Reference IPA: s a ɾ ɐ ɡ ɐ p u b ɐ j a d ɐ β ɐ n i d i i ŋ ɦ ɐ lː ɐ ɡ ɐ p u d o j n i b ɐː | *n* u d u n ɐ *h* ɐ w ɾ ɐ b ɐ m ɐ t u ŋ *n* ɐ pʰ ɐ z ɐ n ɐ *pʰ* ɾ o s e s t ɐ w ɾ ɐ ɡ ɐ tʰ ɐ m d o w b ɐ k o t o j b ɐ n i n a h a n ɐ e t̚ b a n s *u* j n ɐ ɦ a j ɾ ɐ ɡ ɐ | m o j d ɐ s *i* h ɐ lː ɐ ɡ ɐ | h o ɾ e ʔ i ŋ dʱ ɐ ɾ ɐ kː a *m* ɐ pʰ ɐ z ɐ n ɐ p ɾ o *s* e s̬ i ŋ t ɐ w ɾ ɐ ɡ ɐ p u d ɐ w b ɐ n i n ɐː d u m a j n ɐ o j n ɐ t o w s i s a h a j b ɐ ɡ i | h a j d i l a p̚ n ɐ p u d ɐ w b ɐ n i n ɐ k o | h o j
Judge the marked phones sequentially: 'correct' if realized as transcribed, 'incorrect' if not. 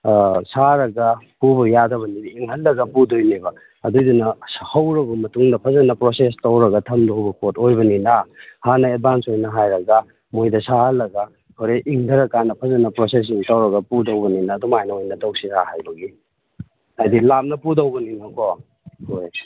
incorrect: d, correct, incorrect: d, incorrect: p, incorrect: o, incorrect: a, incorrect: n, correct

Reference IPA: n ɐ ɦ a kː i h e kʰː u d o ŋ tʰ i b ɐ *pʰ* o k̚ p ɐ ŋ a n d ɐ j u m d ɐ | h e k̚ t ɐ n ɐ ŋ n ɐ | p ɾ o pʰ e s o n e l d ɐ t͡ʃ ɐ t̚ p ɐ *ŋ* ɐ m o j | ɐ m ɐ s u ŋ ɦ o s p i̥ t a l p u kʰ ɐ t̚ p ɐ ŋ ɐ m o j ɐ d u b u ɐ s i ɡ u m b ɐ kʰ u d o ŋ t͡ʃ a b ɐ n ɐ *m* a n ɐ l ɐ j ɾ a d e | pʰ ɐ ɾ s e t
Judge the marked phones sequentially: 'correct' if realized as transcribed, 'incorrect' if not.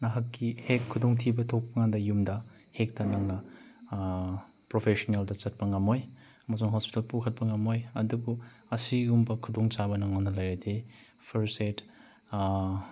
incorrect: tʰ, correct, incorrect: ŋ

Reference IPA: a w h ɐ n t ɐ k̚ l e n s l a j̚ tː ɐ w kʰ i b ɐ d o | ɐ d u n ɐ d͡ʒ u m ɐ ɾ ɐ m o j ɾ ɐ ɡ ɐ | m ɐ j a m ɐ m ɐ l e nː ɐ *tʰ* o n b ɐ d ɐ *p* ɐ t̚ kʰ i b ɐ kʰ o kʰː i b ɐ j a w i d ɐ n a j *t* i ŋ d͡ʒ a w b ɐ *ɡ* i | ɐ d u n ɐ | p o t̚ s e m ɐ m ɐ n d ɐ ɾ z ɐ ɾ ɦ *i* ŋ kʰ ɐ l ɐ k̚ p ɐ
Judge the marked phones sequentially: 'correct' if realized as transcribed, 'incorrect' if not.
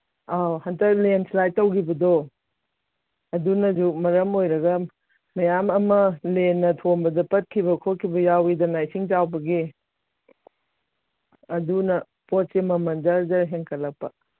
correct, correct, incorrect: s, correct, incorrect: e

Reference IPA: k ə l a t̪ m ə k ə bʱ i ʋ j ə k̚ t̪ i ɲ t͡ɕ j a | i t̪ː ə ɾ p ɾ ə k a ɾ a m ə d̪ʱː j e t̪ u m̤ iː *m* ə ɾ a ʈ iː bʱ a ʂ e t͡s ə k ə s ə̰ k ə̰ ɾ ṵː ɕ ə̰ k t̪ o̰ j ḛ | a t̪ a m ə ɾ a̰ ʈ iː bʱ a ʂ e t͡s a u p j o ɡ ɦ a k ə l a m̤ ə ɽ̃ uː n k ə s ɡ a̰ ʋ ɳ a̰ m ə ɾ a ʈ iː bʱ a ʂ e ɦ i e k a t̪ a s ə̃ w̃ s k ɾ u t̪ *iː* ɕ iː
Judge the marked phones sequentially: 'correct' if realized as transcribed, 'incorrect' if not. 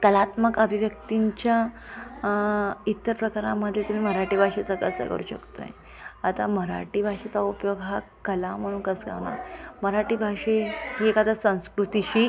correct, incorrect: i

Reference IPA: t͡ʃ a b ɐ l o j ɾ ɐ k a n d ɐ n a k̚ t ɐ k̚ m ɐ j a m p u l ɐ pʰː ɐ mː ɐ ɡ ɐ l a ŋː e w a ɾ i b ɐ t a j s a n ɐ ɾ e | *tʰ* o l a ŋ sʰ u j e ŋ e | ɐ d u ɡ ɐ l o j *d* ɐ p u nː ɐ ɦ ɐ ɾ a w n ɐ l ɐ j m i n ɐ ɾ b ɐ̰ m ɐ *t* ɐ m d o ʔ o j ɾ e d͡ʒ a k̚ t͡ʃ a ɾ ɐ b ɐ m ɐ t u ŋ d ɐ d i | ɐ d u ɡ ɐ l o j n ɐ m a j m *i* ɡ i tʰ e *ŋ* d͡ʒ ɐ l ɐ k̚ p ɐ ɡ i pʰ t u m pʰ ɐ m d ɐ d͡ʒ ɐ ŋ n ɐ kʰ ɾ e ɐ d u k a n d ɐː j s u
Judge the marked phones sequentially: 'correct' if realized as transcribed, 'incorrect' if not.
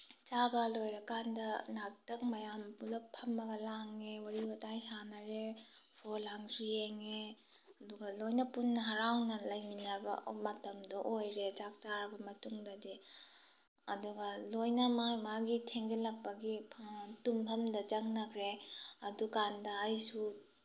incorrect: pʰ, incorrect: n, correct, incorrect: a, correct

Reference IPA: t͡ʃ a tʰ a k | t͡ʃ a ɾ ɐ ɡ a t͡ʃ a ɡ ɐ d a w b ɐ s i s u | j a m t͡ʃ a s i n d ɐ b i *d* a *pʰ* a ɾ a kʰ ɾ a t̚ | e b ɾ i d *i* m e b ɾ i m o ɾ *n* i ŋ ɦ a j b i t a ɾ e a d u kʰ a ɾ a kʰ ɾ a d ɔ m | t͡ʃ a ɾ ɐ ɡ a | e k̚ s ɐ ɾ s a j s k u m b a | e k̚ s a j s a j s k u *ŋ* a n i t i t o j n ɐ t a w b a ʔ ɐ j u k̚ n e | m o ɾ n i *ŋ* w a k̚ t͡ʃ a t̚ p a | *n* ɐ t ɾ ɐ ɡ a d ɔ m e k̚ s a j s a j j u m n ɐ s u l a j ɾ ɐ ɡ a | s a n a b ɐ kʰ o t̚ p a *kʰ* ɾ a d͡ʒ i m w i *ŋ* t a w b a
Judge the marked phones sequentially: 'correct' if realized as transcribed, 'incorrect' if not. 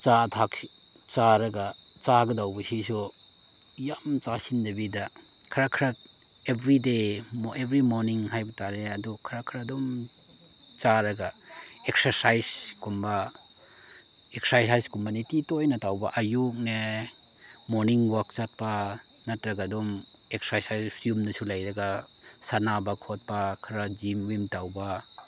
correct, incorrect: kʰ, incorrect: e, correct, incorrect: m, correct, correct, correct, incorrect: m

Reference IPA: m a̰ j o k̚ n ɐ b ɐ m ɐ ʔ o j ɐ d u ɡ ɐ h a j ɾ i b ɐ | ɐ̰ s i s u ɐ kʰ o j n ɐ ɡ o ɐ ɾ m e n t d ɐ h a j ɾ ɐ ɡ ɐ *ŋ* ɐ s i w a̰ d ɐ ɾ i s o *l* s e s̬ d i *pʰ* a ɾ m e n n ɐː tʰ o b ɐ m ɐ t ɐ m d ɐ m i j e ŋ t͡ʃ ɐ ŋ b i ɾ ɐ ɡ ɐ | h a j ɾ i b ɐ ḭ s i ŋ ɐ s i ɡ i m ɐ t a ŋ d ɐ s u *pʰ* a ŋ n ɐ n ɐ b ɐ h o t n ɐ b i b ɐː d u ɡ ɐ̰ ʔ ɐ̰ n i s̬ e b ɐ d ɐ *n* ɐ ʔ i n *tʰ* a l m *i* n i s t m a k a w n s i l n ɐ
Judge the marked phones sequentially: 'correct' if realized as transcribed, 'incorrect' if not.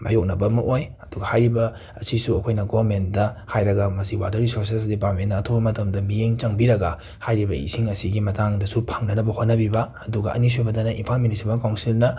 incorrect: m, incorrect: ɾ, incorrect: p, correct, correct, incorrect: pʰ, correct

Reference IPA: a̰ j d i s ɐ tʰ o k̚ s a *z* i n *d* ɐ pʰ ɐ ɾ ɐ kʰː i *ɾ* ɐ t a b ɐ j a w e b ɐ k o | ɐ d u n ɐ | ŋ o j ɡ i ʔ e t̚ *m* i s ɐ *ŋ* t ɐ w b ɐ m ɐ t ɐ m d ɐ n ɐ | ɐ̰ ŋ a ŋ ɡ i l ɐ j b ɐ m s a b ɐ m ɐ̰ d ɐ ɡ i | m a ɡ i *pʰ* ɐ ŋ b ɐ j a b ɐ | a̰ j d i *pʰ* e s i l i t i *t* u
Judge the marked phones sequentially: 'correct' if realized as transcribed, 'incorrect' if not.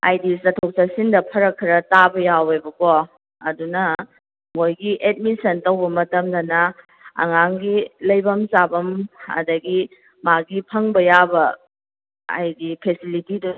incorrect: s, correct, correct, correct, incorrect: n, correct, correct, incorrect: d

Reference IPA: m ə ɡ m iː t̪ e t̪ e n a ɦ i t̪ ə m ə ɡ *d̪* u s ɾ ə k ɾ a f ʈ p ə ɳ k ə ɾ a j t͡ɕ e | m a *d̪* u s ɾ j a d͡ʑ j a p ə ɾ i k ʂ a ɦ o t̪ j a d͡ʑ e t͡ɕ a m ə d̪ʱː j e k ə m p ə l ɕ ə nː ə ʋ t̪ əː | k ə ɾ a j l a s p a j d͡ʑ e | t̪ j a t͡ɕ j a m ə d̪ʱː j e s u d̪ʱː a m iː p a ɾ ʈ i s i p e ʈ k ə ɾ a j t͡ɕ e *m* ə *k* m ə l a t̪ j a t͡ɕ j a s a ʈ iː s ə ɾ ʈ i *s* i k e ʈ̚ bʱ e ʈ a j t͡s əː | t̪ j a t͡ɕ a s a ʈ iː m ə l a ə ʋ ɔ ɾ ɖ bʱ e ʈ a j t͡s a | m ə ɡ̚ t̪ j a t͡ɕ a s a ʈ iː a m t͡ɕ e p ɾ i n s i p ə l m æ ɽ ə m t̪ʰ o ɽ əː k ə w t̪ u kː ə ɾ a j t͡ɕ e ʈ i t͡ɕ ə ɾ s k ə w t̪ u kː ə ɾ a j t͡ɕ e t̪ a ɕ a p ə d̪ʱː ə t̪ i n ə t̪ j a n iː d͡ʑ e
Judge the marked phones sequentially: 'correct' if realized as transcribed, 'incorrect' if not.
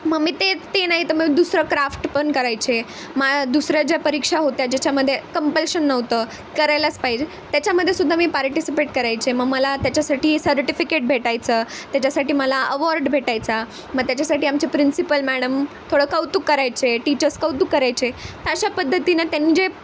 correct, correct, correct, incorrect: ɡ, incorrect: f

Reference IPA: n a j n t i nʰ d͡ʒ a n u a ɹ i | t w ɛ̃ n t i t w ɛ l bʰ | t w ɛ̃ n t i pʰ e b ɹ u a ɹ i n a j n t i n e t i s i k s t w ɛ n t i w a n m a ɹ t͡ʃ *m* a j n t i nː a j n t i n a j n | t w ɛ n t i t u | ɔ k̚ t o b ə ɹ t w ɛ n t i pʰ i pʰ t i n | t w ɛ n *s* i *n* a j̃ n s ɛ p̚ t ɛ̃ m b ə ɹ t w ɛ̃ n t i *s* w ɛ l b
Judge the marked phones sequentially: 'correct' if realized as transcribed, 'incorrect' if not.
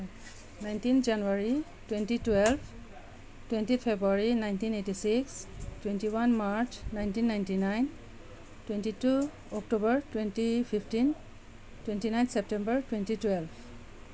incorrect: n, incorrect: t, correct, incorrect: t

